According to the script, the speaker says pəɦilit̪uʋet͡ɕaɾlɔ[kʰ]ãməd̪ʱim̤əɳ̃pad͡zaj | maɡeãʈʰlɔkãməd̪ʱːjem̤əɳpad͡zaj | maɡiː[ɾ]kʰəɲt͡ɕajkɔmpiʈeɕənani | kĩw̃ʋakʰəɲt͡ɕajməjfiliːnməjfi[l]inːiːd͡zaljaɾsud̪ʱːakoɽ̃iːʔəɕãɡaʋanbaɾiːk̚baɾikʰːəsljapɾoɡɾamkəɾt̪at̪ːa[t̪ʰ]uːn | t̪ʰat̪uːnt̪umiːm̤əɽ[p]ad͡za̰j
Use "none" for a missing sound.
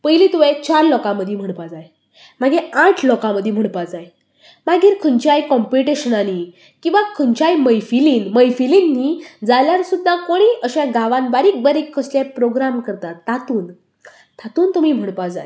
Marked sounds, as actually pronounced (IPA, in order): k, ɾ, l, t̪, p

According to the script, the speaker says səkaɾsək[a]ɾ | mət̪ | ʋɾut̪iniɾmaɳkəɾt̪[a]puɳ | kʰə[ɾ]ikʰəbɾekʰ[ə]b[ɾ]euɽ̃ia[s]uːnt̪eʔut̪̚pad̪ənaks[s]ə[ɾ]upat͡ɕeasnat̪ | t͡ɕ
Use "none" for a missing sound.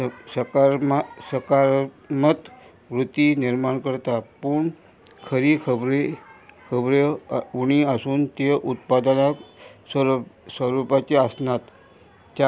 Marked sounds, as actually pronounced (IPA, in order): a, a, ɾ, ə, ɾ, s, s, ɾ

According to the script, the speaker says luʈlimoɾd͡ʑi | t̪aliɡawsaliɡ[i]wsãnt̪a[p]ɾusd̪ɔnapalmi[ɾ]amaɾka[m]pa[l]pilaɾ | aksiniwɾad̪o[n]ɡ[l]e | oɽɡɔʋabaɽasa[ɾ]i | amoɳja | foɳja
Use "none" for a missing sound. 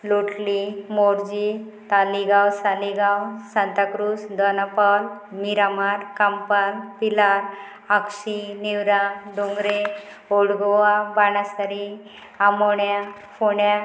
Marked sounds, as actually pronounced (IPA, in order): a, k, ɾ, m, l, ŋ, ɾ, ɾ

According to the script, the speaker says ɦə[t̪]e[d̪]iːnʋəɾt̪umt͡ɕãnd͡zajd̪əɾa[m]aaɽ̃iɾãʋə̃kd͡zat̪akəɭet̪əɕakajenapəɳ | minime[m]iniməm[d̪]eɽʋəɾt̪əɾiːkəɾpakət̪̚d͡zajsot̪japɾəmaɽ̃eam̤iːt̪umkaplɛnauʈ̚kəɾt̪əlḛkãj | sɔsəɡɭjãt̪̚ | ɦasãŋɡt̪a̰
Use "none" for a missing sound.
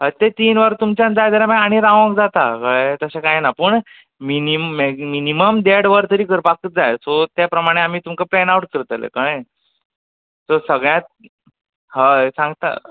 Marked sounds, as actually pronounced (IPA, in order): t̪, t̪, m, m, d̪

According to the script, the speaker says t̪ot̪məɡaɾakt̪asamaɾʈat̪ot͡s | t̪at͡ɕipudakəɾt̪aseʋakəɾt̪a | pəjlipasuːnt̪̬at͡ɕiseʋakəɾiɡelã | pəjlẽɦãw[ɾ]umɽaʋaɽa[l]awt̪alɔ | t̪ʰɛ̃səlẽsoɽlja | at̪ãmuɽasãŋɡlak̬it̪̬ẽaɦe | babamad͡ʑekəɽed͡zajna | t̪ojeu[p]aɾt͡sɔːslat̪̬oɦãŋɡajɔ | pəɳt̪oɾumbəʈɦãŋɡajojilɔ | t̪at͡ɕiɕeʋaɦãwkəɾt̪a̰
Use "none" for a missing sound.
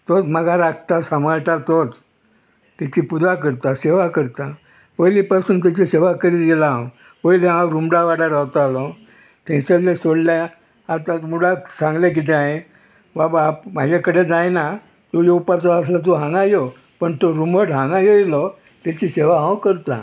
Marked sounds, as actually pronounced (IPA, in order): ɾ, ɾ, p

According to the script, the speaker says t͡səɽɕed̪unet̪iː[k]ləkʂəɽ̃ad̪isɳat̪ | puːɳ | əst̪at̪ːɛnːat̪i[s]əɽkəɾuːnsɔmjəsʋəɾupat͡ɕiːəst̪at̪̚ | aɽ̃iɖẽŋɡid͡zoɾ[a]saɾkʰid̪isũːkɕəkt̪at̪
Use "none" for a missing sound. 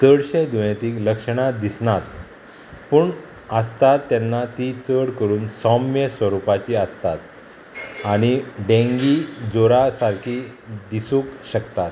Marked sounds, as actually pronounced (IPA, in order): k, t͡s, a

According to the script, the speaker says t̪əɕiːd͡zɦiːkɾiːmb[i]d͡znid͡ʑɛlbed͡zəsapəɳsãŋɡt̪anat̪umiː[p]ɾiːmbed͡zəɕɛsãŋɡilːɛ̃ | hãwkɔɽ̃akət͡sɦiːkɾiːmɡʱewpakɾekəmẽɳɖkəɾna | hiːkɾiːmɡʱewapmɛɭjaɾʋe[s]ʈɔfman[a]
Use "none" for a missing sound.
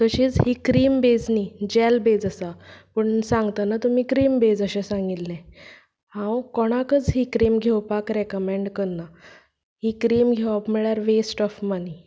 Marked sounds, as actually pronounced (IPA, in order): e, k, s, i

